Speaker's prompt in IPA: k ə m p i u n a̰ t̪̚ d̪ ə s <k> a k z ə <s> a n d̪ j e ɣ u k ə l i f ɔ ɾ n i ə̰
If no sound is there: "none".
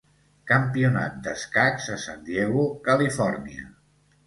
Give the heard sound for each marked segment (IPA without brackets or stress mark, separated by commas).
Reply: k, s